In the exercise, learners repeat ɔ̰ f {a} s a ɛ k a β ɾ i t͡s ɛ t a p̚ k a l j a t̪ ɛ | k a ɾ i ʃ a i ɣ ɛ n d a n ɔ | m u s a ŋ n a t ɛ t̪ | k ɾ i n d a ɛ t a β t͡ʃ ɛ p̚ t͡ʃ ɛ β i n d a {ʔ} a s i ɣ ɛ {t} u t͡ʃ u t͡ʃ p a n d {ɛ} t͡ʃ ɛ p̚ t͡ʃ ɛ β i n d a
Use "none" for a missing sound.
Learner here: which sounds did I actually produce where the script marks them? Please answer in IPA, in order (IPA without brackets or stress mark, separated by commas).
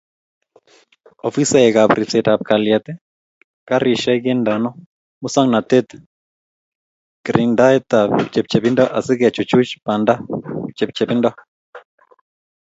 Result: i, ʔ, t͡ʃ, a